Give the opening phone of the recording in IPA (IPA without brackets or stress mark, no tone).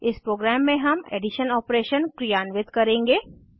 ɪ